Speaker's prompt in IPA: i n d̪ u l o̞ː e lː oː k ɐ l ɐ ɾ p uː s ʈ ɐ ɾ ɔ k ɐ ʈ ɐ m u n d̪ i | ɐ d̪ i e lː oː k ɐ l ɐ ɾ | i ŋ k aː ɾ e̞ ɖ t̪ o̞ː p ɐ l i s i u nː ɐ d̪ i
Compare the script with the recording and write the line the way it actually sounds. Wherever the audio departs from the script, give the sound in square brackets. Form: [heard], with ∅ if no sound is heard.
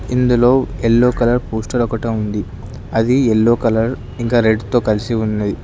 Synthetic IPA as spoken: i n d̪ u l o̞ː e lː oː k ɐ l ɐ ɾ p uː s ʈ ɐ ɾ ɔ k ɐ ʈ ɐ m u n d̪ i | ɐ d̪ i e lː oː k ɐ l ɐ ɾ | i ŋ k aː ɾ e̞ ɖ t̪ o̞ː [k] ɐ l i s i u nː ɐ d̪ i